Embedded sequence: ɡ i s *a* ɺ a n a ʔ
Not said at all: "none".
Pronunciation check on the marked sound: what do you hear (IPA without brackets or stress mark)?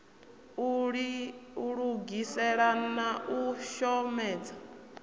ɛ